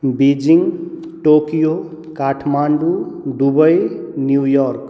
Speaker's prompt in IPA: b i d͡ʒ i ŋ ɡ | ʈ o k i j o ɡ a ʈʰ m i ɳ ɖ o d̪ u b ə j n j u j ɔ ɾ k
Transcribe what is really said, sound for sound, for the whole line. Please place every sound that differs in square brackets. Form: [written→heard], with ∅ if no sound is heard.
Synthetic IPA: b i d͡ʒ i ŋ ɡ | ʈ o k i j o [ɡ→k] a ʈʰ m [i→a] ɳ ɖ [o→u] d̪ u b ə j n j u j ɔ ɾ k